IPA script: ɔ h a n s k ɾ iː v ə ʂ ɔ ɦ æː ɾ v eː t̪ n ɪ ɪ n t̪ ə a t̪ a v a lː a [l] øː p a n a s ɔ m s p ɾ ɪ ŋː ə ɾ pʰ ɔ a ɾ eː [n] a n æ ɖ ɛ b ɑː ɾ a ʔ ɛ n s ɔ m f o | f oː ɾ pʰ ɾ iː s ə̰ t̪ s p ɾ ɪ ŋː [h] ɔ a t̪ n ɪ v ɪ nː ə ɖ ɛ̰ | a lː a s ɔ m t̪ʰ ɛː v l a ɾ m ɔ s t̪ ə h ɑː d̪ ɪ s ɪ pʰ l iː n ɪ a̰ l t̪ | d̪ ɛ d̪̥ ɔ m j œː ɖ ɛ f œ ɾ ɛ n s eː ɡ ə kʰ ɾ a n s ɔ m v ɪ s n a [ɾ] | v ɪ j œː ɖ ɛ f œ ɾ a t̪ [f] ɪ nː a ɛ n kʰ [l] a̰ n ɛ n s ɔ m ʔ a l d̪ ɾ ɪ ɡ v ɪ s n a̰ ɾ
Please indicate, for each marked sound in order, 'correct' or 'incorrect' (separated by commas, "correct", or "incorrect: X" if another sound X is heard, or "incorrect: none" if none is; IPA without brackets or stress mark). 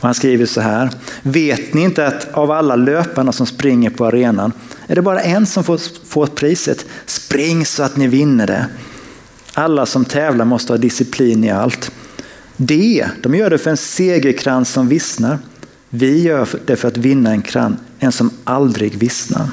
correct, correct, incorrect: s, correct, incorrect: v, incorrect: ɾ